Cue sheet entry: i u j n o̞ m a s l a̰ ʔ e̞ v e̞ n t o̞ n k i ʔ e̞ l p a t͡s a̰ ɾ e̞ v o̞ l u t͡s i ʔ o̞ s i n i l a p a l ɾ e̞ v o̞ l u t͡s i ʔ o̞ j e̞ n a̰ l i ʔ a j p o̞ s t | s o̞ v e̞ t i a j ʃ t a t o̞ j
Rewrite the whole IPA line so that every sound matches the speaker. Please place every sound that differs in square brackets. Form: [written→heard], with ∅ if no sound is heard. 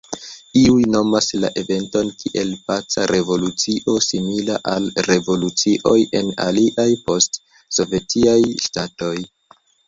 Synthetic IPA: i u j n o̞ m a s l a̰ ʔ e̞ v e̞ n t o̞ n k i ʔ e̞ l p a t͡s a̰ ɾ e̞ v o̞ l u t͡s i ʔ o̞ s i [n→m] i l a [p→ʔ] a l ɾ e̞ v o̞ l u t͡s i ʔ o̞ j e̞ n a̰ l i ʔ a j p o̞ s t | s o̞ v e̞ t i a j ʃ t a t o̞ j